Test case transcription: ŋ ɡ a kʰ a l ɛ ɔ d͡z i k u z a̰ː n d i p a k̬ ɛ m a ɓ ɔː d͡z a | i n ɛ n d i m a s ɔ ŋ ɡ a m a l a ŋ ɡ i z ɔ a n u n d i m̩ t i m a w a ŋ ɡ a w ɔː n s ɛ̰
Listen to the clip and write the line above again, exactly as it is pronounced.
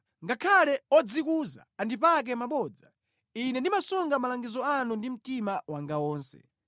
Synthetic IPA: ŋ ɡ a kʰ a l ɛ ɔ d͡z i k u z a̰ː n d i p a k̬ ɛ m a ɓ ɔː d͡z a | i n ɛ n d i m a s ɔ ŋ ɡ a m a l a ŋ ɡ i z ɔ a n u n d i m̩ t i m a w a ŋ ɡ a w ɔː n s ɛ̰